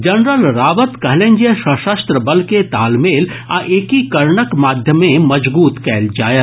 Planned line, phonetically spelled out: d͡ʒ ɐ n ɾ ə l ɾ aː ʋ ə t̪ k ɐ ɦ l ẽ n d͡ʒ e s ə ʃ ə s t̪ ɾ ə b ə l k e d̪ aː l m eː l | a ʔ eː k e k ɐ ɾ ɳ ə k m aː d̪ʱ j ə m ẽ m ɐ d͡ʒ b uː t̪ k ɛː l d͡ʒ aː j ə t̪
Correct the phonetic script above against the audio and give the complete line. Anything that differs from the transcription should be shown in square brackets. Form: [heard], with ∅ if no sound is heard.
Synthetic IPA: d͡ʒ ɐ n ɾ ə l ɾ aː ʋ ə t̪ k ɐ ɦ l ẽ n d͡ʒ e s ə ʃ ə s t̪ ɾ ə b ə l k e [t̪] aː l m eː l | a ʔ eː k [i] k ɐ ɾ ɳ ə k m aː d̪ʱ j ə m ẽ m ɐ d͡ʒ b uː t̪ k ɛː l d͡ʒ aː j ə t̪